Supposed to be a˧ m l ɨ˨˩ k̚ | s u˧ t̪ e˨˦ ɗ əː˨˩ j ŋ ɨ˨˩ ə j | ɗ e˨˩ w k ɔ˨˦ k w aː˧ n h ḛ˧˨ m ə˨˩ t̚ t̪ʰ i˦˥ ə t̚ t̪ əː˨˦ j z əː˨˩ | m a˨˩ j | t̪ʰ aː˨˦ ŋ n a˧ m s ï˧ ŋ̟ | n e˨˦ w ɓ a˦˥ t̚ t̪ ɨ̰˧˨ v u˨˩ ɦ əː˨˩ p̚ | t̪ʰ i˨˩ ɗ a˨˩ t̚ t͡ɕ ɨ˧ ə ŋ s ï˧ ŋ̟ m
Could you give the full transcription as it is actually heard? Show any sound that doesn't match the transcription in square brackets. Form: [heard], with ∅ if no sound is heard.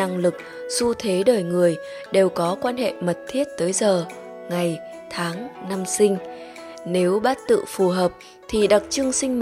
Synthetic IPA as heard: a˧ [ŋ] l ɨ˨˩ k̚ | s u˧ [t̪ʰ] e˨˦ ɗ əː˨˩ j ŋ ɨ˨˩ ə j | ɗ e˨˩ w k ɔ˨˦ k w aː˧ n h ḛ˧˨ m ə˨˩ t̚ t̪ʰ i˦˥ ə t̚ t̪ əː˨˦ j z əː˨˩ | [ŋ] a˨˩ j | t̪ʰ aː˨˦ ŋ n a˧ m s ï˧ ŋ̟ | n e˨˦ w ɓ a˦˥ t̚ t̪ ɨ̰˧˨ [f] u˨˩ ɦ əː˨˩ p̚ | t̪ʰ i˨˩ ɗ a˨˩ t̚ t͡ɕ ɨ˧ ə ŋ s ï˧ ŋ̟ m